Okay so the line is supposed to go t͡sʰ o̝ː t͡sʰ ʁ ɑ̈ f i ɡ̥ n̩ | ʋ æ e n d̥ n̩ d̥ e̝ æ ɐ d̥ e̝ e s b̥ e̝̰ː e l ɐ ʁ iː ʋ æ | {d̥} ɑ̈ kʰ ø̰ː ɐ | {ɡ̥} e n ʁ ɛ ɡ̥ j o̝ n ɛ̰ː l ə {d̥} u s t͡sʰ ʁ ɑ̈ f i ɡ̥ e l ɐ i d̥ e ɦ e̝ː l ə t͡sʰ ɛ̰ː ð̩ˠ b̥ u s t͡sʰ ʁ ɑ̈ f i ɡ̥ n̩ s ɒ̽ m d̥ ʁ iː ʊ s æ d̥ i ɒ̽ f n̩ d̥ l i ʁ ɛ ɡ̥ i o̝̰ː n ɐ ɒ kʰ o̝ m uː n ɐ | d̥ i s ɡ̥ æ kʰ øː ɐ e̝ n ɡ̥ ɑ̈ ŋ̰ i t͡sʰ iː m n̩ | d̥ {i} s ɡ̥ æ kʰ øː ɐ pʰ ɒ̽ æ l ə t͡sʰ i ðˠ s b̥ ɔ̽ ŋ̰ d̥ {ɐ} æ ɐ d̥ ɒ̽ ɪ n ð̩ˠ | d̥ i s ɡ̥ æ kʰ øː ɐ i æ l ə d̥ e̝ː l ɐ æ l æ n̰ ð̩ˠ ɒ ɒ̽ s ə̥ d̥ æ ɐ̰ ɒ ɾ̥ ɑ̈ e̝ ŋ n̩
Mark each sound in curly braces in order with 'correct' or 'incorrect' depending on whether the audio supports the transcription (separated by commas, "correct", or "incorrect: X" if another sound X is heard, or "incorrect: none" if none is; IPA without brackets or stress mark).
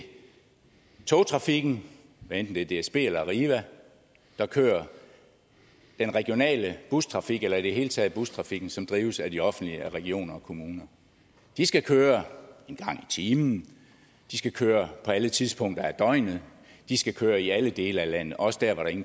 correct, incorrect: d̥, incorrect: b̥, correct, correct